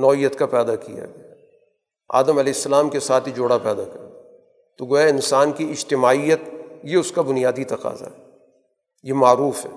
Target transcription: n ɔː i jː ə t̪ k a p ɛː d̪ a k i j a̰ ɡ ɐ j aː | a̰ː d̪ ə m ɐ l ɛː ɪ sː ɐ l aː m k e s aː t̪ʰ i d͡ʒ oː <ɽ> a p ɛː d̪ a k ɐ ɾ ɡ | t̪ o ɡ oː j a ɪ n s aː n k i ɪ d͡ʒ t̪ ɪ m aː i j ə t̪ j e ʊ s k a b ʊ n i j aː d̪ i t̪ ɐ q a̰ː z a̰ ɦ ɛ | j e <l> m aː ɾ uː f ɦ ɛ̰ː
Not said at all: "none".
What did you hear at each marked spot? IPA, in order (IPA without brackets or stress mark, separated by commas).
ɽ, none